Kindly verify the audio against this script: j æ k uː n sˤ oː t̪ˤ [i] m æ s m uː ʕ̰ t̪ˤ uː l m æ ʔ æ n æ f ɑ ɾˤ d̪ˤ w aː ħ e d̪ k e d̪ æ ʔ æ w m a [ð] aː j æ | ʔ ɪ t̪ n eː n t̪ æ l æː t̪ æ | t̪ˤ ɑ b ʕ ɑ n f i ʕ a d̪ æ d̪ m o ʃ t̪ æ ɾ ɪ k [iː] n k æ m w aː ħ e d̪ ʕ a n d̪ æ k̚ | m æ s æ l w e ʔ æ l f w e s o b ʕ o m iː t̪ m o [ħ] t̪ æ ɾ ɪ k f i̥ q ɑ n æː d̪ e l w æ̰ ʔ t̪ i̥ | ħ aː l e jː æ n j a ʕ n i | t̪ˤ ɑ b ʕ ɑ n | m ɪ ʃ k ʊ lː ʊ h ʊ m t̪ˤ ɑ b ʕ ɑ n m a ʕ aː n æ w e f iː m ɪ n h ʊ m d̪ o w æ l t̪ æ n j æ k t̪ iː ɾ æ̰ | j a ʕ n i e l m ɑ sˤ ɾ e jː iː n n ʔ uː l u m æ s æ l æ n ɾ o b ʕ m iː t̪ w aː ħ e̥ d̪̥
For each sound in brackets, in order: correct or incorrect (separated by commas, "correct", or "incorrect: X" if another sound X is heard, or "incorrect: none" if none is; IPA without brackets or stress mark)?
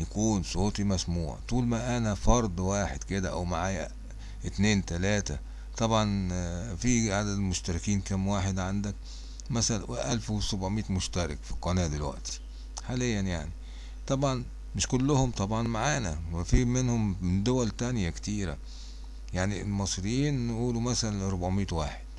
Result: correct, incorrect: ʕ, correct, incorrect: ʃ